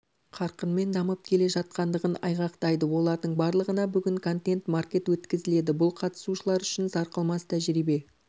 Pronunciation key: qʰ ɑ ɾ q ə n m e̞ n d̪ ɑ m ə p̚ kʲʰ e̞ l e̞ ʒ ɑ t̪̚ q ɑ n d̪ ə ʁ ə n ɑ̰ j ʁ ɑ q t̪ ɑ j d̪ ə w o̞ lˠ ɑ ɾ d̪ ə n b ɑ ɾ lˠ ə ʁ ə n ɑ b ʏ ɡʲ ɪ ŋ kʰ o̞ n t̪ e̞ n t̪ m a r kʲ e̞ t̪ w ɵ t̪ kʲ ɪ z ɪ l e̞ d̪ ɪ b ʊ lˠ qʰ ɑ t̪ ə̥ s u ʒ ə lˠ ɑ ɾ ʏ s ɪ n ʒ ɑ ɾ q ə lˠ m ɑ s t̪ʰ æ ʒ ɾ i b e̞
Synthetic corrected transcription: qʰ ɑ ɾ q ə n m e̞ n d̪ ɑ m ə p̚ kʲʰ e̞ l e̞ ʒ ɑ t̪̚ q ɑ n d̪ ə ʁ ə n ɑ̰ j ʁ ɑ q t̪ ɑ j d̪ ə w o̞ lˠ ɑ ɾ d̪ ə ɴ b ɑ ɾ lˠ ə ʁ ə n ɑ b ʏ ɡʲ ɪ ŋ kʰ o̞ n t̪ e̞ n t̪ m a r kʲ e̞ t̪ w ɵ t̪ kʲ ɪ z ɪ l e̞ d̪ ɪ b ʊ lˠ qʰ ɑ t̪ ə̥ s u ʃ ə lˠ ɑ ɾ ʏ ʃ ɪ n z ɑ ɾ q ə lˠ m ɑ s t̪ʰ æ ʒ ɾ i b e̞